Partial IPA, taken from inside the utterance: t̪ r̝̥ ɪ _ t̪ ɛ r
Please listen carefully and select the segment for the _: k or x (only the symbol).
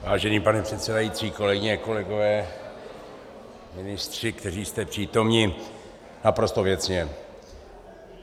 k